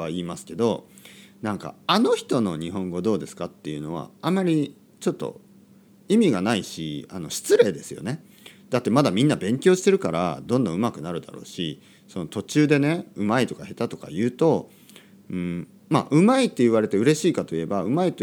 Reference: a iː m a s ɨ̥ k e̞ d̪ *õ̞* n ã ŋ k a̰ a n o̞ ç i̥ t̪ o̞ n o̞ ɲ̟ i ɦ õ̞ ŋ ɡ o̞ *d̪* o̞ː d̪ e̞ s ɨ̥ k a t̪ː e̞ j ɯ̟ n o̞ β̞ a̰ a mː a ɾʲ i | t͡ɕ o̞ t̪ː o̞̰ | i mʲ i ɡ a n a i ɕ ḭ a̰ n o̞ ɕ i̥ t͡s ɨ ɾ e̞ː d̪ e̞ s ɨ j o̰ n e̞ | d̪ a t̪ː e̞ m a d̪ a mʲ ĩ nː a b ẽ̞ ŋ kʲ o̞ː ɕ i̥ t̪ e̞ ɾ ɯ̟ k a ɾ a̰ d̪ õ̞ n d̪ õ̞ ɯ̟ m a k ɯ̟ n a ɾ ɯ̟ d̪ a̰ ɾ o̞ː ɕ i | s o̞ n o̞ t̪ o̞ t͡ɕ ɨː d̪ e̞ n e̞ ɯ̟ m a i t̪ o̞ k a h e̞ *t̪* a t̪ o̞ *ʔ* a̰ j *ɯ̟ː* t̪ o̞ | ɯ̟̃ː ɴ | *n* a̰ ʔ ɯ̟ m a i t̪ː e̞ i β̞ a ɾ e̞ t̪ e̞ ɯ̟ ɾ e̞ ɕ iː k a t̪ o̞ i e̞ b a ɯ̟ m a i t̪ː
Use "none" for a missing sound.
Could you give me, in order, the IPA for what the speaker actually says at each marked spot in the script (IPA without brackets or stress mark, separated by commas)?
o̞, d̪, t̪, k, ɯ̟ː, m